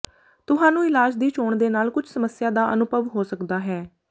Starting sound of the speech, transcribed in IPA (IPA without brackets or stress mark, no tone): t̪